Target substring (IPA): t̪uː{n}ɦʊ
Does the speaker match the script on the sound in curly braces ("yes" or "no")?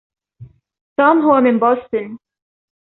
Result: no